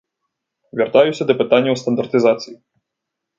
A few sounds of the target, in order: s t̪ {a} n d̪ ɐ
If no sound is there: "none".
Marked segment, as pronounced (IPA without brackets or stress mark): ɐ